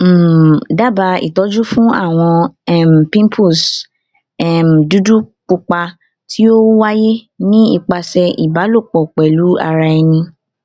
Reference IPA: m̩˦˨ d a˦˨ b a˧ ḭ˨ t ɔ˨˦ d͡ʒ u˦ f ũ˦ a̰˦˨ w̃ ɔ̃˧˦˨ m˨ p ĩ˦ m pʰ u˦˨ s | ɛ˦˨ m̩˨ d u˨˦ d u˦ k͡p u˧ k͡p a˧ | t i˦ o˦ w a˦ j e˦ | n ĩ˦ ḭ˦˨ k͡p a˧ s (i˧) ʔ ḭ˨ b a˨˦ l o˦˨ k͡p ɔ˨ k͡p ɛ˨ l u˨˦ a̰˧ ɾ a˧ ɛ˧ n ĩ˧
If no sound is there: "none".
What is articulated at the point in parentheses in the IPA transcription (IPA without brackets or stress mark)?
ɛ˧